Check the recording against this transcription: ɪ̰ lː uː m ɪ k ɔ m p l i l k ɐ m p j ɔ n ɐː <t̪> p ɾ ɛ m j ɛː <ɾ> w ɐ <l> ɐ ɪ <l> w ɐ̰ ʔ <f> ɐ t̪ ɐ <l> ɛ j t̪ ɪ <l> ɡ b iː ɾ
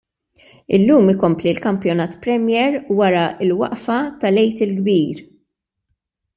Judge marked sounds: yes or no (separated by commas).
yes, yes, no, yes, yes, yes, yes